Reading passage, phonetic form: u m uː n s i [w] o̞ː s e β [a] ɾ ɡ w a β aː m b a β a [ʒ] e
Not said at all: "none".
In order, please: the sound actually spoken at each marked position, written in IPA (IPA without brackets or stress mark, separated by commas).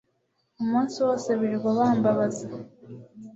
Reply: w, i, z